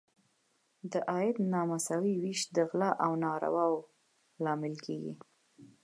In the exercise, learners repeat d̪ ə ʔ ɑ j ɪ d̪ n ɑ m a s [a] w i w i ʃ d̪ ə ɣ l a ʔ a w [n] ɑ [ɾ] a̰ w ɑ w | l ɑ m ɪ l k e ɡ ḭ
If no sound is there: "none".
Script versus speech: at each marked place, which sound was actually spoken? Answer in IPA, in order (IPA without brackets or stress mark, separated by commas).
a, n, ɾ